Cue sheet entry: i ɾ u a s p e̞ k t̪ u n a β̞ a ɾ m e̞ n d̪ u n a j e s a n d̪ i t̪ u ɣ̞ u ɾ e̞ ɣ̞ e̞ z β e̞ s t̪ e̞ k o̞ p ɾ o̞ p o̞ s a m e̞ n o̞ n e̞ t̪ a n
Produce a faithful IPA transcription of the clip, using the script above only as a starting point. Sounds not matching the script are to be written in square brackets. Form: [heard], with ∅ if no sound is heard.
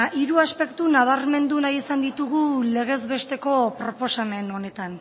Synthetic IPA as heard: i ɾ u a s p e̞ k t̪ u n a β̞ a ɾ m e̞ n d̪ u n a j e s a n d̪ i t̪ u ɣ̞ u [l] e̞ ɣ̞ e̞ z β e̞ s t̪ e̞ k o̞ p ɾ o̞ p o̞ s a m e̞ n o̞ n e̞ t̪ a n